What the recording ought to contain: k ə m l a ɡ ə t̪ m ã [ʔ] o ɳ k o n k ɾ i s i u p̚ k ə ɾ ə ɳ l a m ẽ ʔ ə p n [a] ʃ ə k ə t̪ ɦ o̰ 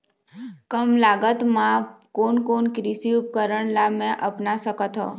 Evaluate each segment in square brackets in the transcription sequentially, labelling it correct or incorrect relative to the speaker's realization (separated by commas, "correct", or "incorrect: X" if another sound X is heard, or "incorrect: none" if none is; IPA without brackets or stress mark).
incorrect: k, correct